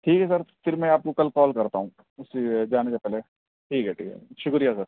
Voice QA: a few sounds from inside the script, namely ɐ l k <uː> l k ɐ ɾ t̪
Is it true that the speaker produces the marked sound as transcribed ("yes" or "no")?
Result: no